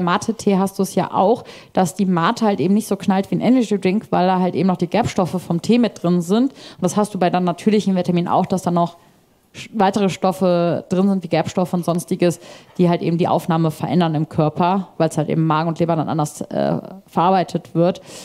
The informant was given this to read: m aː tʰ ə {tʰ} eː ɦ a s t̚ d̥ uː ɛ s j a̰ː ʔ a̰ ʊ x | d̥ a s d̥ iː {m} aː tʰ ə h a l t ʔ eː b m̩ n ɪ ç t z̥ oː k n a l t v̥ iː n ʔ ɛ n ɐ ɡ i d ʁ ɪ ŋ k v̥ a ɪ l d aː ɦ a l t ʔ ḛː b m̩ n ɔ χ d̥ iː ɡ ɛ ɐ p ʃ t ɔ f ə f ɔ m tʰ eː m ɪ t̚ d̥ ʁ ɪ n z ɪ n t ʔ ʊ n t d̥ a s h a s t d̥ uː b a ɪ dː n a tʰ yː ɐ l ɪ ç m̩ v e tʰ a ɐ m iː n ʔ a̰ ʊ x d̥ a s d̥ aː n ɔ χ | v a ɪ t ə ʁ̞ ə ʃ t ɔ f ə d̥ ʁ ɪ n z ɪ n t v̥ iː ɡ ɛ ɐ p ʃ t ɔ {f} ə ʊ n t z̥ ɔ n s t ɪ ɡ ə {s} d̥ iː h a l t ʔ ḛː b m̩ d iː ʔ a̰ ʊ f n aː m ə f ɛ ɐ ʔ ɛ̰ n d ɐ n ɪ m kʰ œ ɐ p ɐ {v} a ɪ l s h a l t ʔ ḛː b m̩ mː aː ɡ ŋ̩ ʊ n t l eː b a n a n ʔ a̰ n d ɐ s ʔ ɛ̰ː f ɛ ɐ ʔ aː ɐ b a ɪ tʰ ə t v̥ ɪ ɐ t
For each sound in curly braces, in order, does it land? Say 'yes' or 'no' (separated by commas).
yes, yes, yes, yes, yes